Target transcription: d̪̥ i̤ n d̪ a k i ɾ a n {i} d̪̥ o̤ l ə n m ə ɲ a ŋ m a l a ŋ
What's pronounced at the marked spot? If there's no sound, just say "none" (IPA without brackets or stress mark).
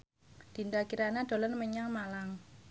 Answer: a